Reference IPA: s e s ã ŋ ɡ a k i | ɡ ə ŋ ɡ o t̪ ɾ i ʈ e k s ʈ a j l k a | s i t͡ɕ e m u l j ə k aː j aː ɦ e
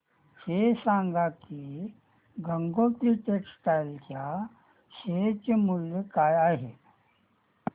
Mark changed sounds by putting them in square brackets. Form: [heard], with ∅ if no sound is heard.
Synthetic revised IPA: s e s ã ŋ ɡ a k i | ɡ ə ŋ ɡ o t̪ ɾ i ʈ e k s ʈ a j l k a | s [e] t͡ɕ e m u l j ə k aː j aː ɦ e